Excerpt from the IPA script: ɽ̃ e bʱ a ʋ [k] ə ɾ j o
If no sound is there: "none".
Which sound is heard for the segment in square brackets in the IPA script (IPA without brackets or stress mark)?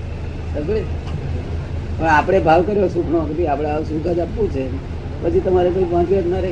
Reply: k